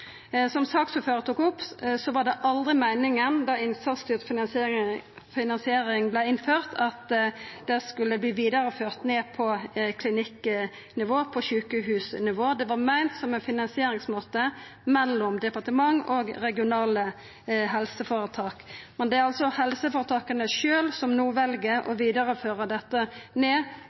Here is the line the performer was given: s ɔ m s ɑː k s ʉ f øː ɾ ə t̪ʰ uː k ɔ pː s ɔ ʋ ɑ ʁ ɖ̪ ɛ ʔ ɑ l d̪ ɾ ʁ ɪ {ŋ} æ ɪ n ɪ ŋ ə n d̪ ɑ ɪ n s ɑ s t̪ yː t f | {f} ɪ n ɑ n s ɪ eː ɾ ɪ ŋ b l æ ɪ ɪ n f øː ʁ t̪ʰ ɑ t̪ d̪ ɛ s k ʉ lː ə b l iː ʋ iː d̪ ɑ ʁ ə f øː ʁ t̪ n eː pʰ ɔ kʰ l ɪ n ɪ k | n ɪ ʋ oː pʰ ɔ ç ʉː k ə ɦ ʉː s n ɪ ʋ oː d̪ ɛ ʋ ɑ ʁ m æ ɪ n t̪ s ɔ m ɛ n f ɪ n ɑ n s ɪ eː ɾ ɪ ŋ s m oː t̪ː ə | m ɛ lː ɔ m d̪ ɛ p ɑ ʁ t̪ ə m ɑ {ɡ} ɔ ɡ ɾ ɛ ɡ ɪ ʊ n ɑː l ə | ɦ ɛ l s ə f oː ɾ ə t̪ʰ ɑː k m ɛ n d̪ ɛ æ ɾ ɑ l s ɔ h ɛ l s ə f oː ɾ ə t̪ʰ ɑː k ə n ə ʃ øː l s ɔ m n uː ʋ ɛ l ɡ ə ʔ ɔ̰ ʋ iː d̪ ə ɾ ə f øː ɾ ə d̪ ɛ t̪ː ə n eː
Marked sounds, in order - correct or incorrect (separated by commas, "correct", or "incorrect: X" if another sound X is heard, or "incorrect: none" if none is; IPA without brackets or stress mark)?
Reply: incorrect: m, correct, incorrect: ŋ